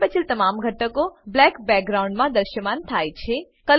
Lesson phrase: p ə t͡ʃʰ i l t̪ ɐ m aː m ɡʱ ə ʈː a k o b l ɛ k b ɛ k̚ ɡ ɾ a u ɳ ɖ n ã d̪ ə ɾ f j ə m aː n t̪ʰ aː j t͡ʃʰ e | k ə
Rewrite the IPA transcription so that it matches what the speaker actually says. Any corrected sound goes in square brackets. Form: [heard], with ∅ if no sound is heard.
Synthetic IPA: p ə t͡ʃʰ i l t̪ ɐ m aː m ɡʱ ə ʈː [ə] k o b l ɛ k b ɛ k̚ ɡ ɾ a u ɳ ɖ [m] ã d̪ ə ɾ [ʃ] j ə m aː n t̪ʰ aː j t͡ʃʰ e | k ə